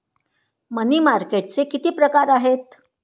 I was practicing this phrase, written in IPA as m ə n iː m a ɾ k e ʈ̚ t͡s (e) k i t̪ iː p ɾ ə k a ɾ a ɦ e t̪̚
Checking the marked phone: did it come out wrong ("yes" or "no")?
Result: no